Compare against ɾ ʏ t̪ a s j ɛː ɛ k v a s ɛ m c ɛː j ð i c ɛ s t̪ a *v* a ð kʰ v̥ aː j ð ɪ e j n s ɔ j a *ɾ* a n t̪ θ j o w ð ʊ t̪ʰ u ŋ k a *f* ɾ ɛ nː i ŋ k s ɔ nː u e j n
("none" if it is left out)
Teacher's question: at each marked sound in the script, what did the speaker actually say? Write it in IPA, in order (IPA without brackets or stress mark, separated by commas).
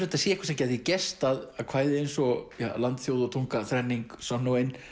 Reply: ð, l, θ